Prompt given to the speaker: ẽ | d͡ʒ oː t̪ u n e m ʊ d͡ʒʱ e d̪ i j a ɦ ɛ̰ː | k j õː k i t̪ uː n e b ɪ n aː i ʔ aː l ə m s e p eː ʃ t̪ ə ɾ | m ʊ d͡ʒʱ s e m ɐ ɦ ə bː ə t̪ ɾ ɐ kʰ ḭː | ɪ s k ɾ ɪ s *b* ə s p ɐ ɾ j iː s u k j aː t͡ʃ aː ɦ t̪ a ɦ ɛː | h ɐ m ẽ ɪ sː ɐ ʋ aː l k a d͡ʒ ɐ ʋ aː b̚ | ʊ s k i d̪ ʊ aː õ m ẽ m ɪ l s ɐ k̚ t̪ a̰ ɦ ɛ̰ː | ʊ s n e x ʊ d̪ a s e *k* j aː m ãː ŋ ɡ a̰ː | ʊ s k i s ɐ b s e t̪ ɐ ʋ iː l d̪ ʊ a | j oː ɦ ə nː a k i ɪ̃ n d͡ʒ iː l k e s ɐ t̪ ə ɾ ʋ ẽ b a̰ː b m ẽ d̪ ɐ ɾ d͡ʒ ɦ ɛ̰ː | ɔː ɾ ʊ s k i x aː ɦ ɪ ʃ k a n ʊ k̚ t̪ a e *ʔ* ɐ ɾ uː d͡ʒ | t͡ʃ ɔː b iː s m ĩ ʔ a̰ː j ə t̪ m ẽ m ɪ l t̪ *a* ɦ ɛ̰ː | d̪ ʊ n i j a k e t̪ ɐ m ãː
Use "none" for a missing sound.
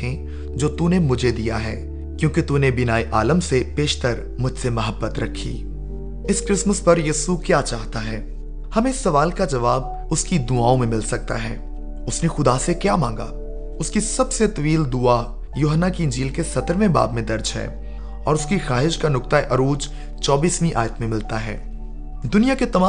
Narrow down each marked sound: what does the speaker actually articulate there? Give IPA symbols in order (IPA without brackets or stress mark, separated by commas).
m, k, ʔ, a